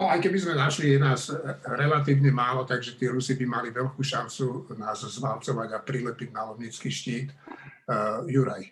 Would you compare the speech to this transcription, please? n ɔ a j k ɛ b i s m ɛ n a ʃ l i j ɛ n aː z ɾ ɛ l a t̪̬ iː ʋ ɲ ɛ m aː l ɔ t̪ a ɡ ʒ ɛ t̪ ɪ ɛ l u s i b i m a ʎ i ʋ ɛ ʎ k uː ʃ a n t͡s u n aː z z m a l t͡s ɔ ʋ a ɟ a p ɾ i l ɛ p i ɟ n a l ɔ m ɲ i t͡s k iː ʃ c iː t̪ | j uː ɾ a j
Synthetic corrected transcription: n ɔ a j k ɛ b i z m ɛ n a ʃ l i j ɛ n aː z ɾ ɛ l a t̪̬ iː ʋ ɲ ɛ m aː l ɔ t̪ a ɡ ʒ ɛ t̪ ɪ ɛ ɾ u s i b i m a l i ʋ ɛ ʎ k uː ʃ a n t͡s u n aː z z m a l t͡s ɔ ʋ a ɟ a p ɾ i l ɛ p i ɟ n a l ɔ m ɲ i t͡s k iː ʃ c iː t̪ | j u ɾ a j